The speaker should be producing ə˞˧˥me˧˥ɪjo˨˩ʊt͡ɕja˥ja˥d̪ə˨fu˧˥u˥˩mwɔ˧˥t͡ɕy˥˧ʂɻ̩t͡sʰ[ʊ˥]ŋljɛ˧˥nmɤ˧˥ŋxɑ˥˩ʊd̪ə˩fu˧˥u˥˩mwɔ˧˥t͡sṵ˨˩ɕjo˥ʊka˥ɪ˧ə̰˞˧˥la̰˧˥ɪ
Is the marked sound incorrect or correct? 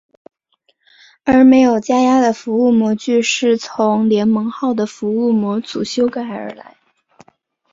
incorrect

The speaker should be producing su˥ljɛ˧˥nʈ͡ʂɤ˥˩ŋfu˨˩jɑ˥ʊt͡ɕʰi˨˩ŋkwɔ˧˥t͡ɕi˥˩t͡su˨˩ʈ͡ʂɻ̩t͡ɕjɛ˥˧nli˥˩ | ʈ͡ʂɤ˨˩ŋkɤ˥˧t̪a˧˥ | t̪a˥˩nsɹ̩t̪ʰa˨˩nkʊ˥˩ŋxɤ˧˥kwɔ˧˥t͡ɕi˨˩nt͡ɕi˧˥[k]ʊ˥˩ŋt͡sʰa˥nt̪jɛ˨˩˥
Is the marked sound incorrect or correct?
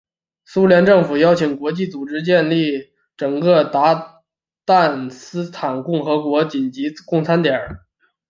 correct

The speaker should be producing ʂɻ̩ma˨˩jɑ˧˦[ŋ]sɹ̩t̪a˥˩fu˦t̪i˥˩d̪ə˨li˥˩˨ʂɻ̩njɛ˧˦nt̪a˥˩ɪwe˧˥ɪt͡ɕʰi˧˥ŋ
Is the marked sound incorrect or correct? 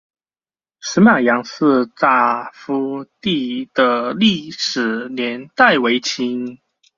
correct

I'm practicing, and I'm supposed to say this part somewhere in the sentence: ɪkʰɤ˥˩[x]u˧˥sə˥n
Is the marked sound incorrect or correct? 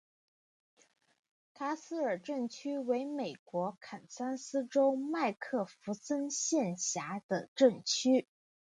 incorrect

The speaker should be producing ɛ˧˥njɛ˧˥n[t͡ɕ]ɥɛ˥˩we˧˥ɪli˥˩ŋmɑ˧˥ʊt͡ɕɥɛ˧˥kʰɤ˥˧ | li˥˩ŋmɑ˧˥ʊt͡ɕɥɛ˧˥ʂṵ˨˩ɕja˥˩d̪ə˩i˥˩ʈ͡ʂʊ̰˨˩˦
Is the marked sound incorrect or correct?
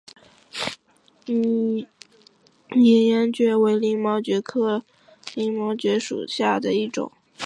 correct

